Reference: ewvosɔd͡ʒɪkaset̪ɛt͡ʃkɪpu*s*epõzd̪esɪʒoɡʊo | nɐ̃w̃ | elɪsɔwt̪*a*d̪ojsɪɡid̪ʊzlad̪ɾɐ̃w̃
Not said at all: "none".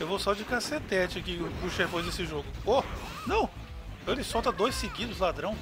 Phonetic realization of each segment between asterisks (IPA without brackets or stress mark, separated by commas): ʃ, ɐ